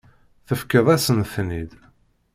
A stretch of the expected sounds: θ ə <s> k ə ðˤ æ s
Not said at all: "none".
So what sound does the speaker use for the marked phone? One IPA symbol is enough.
f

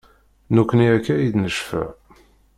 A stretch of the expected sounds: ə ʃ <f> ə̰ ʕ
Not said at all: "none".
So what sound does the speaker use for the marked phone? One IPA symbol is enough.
f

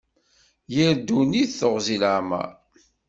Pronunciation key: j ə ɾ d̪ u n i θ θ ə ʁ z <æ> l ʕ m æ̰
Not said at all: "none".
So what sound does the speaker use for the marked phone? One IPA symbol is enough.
i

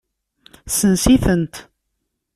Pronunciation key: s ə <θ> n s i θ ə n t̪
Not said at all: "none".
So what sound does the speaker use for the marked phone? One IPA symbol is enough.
none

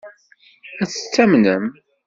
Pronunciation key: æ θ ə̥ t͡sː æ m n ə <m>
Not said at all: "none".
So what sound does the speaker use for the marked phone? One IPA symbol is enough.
m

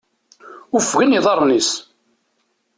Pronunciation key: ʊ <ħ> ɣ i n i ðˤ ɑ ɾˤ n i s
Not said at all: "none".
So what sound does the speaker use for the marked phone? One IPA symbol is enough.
f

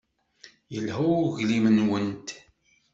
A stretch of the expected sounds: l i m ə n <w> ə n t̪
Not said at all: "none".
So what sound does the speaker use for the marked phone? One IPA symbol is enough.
w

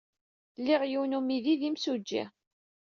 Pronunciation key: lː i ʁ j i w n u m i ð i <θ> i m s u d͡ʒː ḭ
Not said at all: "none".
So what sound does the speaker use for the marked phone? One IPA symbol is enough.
ð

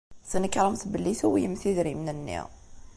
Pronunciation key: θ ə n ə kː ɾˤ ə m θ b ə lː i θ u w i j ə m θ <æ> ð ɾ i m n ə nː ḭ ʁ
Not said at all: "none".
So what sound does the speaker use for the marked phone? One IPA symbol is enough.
i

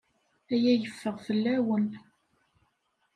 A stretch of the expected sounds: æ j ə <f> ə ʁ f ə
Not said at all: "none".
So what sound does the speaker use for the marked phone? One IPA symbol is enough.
fː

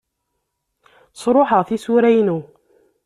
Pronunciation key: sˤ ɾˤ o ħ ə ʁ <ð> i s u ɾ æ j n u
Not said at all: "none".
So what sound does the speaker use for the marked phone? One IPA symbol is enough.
θ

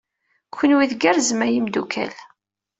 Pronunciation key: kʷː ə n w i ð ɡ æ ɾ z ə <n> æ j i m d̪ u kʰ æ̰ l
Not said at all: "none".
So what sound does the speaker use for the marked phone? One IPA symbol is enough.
m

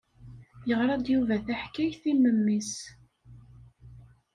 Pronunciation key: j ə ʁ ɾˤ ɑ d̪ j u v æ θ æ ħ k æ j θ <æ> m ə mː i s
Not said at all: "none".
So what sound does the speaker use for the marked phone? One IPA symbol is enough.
i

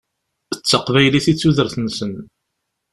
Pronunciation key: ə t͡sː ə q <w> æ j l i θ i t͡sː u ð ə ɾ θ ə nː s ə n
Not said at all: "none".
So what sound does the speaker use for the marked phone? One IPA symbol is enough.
v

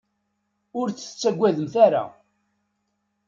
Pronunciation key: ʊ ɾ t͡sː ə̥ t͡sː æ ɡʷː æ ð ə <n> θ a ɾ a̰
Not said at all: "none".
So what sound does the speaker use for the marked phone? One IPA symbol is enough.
m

